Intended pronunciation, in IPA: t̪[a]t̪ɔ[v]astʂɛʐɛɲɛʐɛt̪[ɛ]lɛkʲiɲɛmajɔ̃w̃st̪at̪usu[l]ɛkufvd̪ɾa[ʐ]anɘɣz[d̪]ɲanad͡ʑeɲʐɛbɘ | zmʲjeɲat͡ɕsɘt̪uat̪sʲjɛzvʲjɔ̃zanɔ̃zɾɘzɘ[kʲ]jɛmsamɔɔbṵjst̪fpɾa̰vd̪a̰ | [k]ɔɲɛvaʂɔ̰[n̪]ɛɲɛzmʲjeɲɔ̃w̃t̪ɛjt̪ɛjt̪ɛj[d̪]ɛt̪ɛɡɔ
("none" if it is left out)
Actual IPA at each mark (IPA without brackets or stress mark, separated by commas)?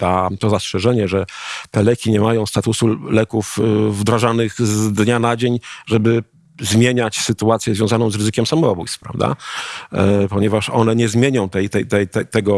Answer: a, z, ɛ, l, ʐ, d̪, kʲ, p, n̪, t̪